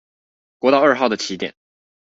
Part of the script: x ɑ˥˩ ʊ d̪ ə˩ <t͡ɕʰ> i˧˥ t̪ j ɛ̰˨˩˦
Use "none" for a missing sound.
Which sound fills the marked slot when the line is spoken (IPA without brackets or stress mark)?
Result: t͡ɕʰ